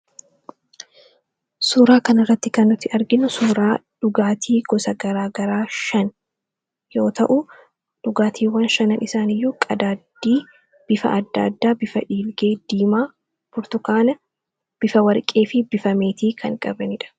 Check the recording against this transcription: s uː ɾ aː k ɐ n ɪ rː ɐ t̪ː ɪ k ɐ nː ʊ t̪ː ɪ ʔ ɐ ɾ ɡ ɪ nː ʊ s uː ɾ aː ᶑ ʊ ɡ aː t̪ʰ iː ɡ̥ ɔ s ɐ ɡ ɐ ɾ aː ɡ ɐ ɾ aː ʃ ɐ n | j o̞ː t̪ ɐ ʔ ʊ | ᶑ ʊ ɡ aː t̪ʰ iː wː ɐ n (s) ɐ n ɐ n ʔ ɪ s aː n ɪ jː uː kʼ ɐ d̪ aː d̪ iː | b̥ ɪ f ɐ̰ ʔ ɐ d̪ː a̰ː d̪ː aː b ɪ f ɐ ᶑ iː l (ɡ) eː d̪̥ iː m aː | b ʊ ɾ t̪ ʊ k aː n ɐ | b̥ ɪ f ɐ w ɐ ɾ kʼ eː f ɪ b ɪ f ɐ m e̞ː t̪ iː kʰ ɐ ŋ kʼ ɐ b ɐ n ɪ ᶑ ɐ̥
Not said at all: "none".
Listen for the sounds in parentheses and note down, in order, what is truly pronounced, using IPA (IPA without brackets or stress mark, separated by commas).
ʃ, ɡ